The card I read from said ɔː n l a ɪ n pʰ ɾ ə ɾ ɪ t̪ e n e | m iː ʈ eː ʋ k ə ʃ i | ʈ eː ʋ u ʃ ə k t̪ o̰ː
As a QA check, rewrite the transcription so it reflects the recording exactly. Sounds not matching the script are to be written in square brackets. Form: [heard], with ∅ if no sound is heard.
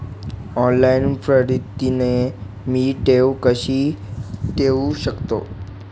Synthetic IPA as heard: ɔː n l a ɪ n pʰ ɾ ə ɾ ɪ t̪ [i] n e | m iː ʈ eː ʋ k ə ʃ i | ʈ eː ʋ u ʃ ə k t̪ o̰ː